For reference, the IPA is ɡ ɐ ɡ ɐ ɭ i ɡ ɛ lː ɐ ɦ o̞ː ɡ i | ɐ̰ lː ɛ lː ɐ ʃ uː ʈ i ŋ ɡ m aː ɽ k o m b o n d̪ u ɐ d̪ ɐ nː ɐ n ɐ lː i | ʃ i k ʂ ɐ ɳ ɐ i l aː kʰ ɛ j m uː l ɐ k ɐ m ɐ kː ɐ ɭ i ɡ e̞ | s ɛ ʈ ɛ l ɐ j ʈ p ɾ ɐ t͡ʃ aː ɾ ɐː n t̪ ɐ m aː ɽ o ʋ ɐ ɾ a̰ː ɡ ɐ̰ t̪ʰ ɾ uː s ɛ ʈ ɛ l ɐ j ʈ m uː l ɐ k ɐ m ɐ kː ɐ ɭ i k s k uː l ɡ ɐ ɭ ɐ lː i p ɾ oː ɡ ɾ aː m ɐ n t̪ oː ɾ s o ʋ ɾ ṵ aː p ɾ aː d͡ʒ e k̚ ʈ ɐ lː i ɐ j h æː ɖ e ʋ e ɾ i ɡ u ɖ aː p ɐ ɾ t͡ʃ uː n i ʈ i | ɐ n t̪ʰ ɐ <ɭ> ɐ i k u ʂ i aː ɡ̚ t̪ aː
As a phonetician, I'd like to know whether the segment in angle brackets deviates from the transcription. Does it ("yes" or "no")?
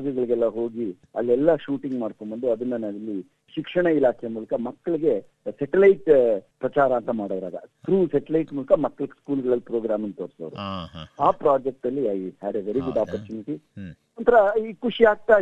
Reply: yes